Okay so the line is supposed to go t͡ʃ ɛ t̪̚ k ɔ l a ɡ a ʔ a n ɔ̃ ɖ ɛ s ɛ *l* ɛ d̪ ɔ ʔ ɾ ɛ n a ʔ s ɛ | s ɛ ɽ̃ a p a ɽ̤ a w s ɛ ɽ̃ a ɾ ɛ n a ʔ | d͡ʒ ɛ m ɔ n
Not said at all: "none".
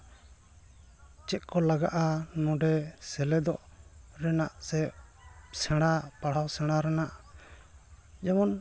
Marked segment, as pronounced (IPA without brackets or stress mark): l